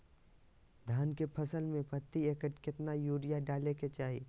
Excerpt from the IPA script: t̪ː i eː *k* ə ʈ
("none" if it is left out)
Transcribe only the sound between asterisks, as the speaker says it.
k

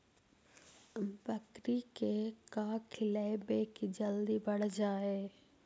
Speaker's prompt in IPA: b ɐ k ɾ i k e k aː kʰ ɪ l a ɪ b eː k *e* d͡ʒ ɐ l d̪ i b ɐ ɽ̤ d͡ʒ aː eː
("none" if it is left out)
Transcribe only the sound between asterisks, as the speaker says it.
i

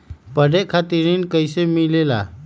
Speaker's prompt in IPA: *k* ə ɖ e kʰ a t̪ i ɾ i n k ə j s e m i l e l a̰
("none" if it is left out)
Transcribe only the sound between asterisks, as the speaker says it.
p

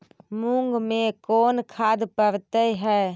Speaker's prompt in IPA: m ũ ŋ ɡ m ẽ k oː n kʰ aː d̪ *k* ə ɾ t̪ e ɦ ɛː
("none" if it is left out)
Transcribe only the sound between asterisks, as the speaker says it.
p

